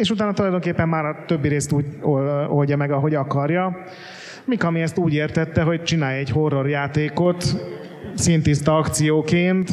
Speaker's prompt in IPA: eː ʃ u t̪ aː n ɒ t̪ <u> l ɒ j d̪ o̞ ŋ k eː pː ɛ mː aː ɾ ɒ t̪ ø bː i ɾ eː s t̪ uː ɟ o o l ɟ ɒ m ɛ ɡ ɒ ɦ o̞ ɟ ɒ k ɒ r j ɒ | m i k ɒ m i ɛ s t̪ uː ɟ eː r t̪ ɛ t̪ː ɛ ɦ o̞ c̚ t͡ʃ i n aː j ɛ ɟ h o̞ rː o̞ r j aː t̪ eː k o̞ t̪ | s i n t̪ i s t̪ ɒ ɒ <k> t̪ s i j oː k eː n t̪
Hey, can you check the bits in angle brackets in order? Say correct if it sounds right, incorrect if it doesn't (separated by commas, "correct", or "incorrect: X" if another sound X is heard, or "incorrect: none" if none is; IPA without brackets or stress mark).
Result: correct, correct